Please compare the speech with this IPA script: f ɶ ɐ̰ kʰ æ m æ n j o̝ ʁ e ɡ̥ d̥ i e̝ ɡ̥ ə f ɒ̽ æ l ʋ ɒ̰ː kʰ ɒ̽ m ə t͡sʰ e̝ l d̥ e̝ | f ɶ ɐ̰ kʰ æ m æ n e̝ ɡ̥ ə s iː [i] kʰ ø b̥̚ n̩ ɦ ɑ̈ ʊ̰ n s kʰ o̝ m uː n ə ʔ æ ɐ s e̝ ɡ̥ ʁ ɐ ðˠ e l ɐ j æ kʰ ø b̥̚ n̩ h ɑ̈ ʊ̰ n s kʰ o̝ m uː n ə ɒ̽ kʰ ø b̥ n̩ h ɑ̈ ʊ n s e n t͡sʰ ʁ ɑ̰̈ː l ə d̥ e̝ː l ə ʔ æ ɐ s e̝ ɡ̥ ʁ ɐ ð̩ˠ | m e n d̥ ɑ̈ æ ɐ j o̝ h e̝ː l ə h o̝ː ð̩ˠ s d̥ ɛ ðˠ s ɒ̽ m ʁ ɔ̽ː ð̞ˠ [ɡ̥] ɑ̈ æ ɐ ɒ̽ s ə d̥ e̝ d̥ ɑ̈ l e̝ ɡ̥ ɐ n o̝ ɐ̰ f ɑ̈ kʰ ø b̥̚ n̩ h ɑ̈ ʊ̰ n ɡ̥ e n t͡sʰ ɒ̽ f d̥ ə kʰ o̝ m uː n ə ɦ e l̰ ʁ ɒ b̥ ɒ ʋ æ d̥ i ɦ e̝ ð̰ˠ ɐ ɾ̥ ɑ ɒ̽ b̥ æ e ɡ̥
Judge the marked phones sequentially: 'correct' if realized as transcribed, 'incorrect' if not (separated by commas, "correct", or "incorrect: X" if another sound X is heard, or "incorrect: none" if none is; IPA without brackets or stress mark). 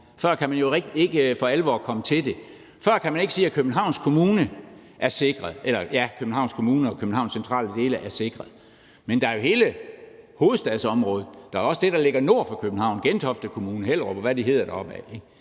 incorrect: æ, incorrect: d̥